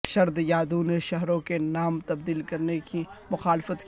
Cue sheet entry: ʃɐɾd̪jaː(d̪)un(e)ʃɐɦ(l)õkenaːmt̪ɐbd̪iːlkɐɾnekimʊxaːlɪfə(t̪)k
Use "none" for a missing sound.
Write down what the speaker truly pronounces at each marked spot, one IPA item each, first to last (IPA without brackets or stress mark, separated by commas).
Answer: d̪, e, ɾ, t̪